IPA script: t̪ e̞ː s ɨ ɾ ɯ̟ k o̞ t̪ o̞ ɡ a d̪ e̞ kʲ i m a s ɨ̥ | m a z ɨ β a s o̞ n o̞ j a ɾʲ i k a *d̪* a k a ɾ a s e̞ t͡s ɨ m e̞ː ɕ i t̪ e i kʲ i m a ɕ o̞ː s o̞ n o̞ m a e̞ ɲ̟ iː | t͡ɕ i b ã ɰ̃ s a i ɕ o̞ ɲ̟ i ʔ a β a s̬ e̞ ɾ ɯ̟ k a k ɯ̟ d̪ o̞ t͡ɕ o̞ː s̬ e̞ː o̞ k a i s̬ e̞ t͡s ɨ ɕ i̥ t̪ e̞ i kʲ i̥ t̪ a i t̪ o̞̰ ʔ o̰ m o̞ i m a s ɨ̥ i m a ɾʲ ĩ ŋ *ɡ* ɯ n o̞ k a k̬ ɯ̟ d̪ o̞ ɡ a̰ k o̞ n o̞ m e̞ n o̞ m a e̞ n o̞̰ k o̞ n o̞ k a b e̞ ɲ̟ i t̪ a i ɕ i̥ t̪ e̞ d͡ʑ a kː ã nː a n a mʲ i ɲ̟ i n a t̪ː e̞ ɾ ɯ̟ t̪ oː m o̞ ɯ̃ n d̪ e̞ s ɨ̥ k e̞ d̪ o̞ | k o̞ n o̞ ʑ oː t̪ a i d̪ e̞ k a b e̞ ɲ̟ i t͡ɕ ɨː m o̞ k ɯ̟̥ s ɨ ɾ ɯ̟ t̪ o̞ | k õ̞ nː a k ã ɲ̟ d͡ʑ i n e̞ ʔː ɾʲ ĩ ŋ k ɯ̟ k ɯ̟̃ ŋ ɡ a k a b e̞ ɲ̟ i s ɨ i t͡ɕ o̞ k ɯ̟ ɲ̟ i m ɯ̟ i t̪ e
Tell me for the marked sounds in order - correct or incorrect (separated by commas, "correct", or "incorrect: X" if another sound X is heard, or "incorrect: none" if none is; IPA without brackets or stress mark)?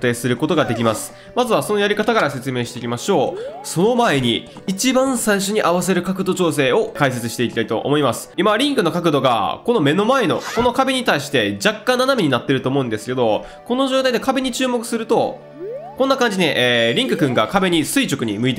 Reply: incorrect: t̪, incorrect: k